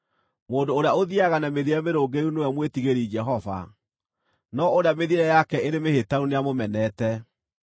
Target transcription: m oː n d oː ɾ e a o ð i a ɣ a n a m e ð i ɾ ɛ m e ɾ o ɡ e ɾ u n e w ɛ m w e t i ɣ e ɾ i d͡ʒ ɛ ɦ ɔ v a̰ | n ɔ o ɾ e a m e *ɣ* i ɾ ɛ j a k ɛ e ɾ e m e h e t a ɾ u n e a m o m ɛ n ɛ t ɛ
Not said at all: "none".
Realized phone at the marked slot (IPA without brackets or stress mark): ð